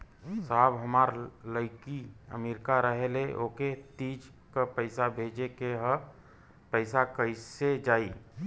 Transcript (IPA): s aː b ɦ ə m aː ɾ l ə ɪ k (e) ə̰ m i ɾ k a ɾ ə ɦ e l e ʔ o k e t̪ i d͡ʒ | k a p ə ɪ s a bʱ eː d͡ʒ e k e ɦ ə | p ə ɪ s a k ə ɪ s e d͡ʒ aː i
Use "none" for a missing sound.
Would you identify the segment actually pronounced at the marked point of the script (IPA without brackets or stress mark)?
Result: i